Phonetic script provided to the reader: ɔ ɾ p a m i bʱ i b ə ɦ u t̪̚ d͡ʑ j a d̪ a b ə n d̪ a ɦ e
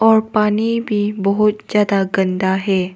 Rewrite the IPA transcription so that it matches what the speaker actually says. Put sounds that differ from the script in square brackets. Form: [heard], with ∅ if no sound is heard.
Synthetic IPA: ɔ ɾ p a [n] i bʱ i b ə ɦ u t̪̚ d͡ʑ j a d̪ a [ɡ] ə n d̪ a ɦ e